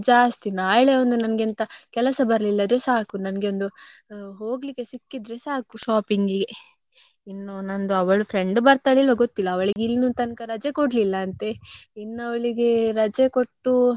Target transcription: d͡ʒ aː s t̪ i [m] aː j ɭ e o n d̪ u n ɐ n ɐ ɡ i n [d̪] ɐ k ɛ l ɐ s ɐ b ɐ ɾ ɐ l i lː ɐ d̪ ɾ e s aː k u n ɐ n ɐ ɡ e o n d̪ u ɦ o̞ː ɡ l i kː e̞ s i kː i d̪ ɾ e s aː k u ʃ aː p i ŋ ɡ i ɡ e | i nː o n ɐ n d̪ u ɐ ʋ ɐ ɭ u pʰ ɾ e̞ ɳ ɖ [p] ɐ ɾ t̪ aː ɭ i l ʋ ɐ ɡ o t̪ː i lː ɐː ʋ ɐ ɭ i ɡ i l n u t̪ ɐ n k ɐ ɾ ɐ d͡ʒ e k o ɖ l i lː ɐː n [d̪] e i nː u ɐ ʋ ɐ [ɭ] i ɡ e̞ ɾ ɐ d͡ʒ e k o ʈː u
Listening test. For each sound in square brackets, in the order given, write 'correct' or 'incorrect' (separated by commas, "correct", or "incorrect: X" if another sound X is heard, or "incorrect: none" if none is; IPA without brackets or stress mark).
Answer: incorrect: n, incorrect: t̪, incorrect: b, incorrect: t̪, correct